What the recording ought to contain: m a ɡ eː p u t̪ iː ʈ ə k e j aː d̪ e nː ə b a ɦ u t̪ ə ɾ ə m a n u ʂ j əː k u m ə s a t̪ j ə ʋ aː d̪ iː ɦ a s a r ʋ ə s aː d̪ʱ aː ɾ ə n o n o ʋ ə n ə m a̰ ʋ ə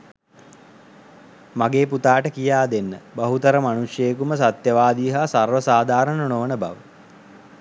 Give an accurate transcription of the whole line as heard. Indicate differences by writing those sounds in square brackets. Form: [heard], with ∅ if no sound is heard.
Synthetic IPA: m a ɡ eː p u t̪ [aː] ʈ ə k [i] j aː d̪ e nː ə b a ɦ u t̪ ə ɾ ə m a n u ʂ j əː k u m ə s a t̪ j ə ʋ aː d̪ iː ɦ a s a r ʋ ə s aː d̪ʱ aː ɾ ə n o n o ʋ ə n ə [b] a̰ ʋ ə